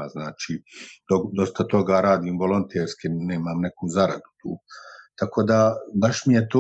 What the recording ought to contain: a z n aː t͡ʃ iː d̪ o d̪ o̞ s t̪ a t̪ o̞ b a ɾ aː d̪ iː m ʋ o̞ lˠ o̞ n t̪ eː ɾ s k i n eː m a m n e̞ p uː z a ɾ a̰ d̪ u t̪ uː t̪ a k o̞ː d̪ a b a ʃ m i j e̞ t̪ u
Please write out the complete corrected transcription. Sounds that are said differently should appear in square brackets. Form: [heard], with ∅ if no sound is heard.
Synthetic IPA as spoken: a z n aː t͡ʃ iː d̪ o d̪ o̞ s t̪ a t̪ o̞ [ɡ] a ɾ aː d̪ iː m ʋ o̞ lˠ o̞ n t̪ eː ɾ s k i n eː m a m n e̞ [k] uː z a ɾ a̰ d̪ u t̪ uː t̪ a k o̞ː d̪ a b a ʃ m i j e̞ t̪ [o]